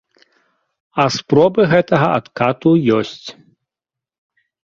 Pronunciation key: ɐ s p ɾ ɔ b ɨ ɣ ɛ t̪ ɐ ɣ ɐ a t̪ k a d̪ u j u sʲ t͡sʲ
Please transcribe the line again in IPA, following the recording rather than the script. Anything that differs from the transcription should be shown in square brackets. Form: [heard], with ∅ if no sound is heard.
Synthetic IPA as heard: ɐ s p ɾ ɔ b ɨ ɣ ɛ t̪ ɐ ɣ ɐ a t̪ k a [t̪] u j [ɔ] sʲ t͡sʲ

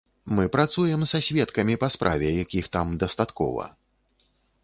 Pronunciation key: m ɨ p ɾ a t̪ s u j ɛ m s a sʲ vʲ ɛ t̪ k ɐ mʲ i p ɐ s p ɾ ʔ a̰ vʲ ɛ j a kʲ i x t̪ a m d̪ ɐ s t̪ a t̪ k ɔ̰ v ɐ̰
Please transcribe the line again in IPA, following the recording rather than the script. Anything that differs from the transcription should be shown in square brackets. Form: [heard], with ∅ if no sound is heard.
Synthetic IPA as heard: m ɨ p ɾ a t̪ s u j ɛ m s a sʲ vʲ ɛ t̪ k ɐ mʲ i p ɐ s p ɾ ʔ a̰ vʲ ɛ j a kʲ i x t̪ a m d̪ ɐ s t̪ a t̪ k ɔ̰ v ɐ̰

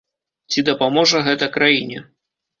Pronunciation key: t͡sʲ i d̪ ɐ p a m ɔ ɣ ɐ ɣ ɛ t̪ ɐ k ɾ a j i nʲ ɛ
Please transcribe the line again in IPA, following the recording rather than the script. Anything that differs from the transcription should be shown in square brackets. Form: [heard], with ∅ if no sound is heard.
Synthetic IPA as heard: t͡sʲ i d̪ ɐ p a m ɔ [ʐ] ɐ ɣ ɛ t̪ ɐ k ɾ a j i nʲ ɛ

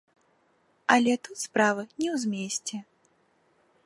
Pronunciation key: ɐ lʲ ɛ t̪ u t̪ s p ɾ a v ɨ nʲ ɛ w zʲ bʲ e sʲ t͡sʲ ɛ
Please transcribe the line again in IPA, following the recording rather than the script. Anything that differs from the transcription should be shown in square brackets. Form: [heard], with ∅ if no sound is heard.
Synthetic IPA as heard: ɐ lʲ ɛ t̪ u t̪ s p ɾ a v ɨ nʲ ɛ w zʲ [mʲ] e sʲ t͡sʲ ɛ

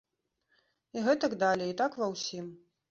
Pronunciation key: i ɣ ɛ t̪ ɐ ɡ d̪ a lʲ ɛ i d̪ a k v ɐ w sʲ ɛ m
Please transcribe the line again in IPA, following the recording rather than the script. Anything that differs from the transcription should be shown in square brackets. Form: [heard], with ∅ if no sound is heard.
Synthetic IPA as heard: i ɣ ɛ t̪ ɐ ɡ d̪ a lʲ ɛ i [t̪] a k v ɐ w sʲ [i] m

